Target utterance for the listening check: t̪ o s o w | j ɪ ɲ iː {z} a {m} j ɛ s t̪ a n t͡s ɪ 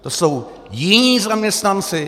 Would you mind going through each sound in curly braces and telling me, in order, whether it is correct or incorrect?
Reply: correct, correct

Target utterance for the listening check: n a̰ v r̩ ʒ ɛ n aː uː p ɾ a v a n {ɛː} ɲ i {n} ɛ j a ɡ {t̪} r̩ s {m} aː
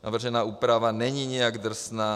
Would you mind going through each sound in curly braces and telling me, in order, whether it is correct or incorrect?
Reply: incorrect: ɛ, incorrect: ɲ, incorrect: d̪, incorrect: n

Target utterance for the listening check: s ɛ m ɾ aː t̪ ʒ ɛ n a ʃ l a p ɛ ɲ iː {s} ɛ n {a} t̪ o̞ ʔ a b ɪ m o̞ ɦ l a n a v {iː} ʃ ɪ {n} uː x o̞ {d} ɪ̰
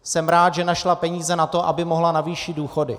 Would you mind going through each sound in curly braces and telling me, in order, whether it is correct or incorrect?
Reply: incorrect: z, correct, correct, incorrect: d, correct

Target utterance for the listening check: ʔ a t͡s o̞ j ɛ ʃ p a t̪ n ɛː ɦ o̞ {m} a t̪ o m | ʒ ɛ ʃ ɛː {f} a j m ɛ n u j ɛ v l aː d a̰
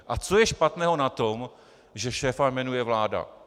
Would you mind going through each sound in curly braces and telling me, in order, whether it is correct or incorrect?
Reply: incorrect: n, correct

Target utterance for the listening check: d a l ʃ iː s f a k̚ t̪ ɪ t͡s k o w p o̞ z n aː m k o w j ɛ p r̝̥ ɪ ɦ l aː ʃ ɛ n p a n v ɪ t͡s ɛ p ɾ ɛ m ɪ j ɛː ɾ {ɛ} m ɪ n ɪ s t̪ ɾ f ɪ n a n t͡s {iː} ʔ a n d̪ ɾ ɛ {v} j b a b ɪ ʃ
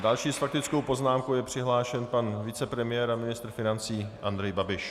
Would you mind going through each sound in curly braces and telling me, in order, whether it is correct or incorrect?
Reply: incorrect: a, correct, incorrect: none

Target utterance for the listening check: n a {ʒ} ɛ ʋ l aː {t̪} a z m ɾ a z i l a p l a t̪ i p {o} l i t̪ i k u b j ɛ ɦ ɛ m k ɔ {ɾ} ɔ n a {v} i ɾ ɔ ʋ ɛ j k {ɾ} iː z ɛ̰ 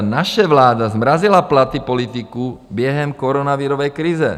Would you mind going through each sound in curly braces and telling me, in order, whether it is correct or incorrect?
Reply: incorrect: ʃ, incorrect: d̪, incorrect: ɔ, correct, incorrect: ʋ, correct

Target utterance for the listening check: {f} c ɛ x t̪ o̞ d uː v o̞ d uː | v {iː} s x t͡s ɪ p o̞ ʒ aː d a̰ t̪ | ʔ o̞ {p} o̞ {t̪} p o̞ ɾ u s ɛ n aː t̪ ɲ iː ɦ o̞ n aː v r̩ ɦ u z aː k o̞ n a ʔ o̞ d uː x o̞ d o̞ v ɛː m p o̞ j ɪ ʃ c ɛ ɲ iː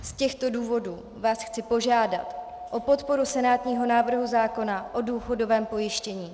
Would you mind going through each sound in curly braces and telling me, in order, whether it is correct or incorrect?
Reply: incorrect: s, incorrect: aː, correct, correct

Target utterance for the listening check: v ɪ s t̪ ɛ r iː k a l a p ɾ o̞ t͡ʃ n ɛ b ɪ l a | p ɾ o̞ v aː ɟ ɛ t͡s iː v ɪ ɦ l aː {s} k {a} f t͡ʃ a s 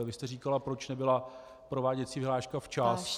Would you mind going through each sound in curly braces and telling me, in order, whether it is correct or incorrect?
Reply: incorrect: ʃ, correct

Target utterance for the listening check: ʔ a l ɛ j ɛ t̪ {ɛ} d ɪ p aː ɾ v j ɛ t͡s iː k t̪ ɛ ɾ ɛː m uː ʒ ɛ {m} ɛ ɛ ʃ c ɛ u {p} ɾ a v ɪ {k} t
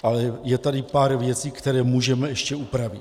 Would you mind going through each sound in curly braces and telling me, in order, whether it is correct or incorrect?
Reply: incorrect: a, correct, correct, incorrect: none

